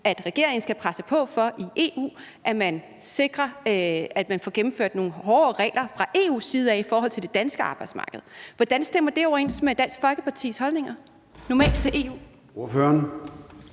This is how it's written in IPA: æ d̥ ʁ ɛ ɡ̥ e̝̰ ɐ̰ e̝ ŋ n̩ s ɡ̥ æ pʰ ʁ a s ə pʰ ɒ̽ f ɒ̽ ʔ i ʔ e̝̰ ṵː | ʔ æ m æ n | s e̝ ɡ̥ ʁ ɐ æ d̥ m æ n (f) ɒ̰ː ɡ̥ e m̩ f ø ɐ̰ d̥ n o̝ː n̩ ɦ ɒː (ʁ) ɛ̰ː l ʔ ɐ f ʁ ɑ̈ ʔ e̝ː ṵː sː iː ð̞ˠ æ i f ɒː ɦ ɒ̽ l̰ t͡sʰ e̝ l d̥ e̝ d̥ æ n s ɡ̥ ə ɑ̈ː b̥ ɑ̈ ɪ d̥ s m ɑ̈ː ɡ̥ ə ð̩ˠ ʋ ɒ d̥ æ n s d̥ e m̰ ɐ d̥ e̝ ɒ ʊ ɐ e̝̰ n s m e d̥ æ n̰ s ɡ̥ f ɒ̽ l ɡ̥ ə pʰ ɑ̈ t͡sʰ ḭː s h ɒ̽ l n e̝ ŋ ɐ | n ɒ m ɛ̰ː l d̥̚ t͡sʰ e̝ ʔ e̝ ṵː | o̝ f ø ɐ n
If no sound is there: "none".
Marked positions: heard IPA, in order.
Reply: f, ʁ

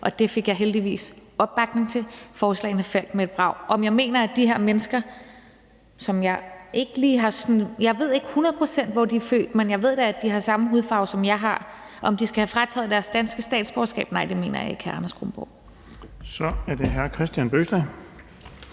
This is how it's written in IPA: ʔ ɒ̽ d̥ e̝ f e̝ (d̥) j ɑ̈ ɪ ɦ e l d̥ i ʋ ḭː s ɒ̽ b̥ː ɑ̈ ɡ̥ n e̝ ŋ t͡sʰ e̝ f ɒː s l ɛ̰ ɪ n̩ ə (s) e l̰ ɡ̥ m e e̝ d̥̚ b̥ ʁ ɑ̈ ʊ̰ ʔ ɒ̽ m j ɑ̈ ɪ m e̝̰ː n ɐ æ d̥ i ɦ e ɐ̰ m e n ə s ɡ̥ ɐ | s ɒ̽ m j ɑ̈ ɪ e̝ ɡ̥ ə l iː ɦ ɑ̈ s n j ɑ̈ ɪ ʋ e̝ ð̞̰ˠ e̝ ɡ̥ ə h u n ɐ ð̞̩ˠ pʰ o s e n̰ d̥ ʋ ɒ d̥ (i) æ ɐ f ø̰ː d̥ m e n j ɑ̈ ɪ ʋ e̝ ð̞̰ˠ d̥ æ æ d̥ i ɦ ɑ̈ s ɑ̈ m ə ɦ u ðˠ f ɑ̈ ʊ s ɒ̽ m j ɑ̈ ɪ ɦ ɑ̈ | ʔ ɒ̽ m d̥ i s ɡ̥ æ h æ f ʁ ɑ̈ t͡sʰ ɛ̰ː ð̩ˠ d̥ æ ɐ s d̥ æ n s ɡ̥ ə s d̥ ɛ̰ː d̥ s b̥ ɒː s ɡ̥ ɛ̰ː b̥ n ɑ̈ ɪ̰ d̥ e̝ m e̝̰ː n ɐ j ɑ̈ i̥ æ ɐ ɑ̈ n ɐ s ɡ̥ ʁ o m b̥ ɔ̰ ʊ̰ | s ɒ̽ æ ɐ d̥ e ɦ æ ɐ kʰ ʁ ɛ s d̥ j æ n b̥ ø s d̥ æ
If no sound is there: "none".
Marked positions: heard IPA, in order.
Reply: ɡ̥, f, i

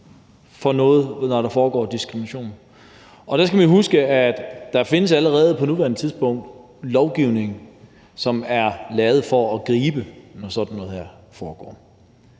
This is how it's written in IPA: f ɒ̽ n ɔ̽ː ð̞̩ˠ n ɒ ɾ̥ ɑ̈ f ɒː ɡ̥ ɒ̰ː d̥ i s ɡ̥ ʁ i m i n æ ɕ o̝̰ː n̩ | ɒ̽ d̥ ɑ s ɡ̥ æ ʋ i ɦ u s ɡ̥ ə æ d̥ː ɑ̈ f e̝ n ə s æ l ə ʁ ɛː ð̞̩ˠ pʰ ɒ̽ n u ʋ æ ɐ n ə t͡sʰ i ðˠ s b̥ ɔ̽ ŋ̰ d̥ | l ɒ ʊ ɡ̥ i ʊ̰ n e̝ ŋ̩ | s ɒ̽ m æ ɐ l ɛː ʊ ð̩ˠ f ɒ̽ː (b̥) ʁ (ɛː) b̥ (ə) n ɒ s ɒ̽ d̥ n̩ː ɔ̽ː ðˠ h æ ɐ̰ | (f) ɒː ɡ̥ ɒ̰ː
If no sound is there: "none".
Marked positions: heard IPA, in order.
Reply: ɡ̥, iː, ə, f

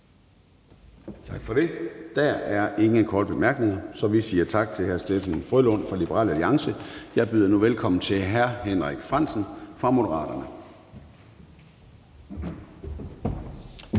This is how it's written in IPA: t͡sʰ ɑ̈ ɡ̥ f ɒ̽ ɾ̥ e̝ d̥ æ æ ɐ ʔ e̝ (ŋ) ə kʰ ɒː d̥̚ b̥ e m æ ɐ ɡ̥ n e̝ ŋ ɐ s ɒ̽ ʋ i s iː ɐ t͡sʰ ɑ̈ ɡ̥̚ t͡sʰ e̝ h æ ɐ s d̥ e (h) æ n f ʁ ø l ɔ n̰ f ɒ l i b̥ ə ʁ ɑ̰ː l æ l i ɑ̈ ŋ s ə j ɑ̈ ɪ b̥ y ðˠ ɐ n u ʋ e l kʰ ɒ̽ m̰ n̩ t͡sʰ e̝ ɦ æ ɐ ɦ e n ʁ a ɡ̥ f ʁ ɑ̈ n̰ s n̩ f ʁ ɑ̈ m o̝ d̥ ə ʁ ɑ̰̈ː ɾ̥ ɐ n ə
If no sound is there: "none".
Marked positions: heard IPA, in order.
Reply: ŋ, f

